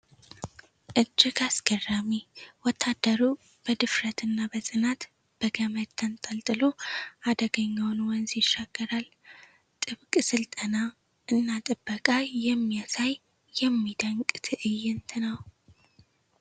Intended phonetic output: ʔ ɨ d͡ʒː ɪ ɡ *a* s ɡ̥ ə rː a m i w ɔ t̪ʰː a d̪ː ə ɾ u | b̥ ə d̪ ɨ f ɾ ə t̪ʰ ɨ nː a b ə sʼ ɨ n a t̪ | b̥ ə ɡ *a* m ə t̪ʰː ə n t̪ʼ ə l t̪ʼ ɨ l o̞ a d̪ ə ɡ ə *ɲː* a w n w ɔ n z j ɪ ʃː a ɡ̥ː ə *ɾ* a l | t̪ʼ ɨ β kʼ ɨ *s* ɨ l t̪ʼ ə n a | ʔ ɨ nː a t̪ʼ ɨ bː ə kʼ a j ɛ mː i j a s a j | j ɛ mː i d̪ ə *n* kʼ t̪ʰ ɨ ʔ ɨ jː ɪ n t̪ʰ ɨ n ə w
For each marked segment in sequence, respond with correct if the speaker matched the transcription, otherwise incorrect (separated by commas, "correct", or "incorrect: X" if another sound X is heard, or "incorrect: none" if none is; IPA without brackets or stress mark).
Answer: correct, incorrect: ə, correct, correct, correct, incorrect: ŋ